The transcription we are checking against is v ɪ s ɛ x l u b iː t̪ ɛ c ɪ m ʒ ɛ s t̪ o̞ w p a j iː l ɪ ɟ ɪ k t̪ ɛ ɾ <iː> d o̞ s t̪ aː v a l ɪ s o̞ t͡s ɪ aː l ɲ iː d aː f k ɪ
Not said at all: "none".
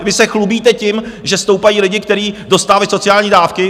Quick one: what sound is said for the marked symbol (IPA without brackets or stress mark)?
iː